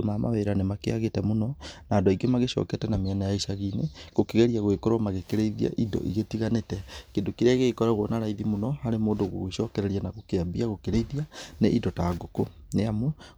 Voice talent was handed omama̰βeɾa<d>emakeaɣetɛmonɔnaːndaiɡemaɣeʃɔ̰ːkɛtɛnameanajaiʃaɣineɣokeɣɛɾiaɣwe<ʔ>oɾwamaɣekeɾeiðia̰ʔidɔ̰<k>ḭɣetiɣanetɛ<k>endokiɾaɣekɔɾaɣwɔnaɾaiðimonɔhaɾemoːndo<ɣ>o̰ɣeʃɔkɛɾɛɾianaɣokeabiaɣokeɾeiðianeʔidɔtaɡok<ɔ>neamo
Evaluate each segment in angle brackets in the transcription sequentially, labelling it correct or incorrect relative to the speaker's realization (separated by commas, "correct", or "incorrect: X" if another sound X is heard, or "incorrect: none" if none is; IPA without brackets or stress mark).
incorrect: n, incorrect: k, incorrect: ʔ, correct, correct, incorrect: o